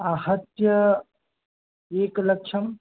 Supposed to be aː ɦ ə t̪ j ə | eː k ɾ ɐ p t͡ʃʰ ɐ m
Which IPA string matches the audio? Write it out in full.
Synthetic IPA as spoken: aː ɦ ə t̪ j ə | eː k l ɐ k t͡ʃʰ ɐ m